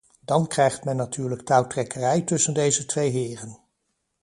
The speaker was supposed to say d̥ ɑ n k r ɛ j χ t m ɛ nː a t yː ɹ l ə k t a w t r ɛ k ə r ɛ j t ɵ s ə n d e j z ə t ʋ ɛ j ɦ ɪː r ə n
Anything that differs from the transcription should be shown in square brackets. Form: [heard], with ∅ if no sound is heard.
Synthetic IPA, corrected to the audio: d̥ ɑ n k r ɛ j χ t m ɛ nː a t yː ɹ l ə k t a w t r ɛ k ə r ɛ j t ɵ s ə n d e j z ə t ʋ [e] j ɦ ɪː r ə n